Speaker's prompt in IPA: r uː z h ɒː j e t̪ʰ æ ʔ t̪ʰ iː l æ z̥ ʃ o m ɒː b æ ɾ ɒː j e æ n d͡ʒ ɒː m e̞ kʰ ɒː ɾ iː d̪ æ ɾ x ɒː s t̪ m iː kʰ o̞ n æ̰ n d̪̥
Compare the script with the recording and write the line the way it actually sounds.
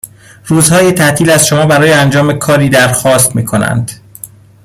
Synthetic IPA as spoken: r uː z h ɒː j e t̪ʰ æ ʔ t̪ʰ iː l æ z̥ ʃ o m ɒː b æ ɾ ɒː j e æ n d͡ʒ ɒː m e̞ kʰ ɒː ɾ iː d̪ æ ɾ x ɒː s t̪ m iː kʰ o̞ n æ̰ n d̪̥